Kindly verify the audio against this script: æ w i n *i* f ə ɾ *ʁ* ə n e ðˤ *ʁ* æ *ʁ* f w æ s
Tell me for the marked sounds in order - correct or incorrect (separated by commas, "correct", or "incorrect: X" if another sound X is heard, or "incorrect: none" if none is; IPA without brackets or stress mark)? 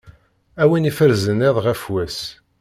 correct, incorrect: z, correct, incorrect: none